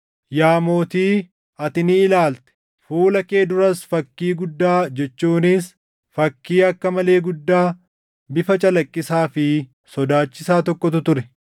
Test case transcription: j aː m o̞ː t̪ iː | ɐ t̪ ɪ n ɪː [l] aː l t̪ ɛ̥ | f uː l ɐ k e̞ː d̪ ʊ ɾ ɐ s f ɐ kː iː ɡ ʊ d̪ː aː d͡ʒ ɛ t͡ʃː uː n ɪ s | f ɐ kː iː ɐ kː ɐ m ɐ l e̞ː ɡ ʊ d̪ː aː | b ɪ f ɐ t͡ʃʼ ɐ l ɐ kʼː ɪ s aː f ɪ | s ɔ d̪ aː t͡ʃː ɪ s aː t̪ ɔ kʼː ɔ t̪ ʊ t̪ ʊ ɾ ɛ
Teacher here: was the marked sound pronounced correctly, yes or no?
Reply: yes